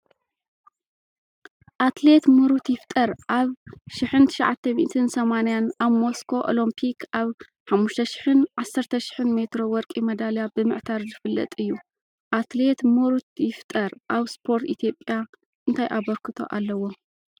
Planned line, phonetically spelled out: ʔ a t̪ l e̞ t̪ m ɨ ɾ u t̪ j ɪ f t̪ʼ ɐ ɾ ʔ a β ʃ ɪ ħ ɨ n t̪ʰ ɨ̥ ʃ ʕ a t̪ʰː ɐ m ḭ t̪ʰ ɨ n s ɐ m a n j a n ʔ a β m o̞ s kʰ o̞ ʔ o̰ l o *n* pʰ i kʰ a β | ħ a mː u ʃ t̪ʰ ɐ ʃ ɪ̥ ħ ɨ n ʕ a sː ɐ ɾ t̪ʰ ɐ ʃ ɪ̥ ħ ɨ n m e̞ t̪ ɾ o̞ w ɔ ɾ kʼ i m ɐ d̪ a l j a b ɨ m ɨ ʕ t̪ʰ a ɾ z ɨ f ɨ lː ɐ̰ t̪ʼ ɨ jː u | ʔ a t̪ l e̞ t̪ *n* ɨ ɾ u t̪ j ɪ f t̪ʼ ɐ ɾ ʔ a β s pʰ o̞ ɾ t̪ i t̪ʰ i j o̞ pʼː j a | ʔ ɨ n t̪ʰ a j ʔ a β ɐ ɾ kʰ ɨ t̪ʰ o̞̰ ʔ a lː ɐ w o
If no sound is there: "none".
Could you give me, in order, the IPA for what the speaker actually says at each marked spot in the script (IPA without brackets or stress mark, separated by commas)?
m, m